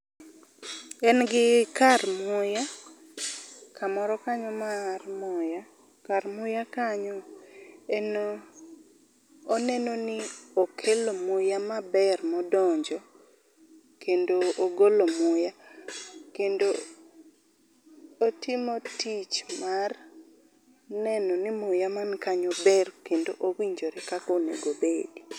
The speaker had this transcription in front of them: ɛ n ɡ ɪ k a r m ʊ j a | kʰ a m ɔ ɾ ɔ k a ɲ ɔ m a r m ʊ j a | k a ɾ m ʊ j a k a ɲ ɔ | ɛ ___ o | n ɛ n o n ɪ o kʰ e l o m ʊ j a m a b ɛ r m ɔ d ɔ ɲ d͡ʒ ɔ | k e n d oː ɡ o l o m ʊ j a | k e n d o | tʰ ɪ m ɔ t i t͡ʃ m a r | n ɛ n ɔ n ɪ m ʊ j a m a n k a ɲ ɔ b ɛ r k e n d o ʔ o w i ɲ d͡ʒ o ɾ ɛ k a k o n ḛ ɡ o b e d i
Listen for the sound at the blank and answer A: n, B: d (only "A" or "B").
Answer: A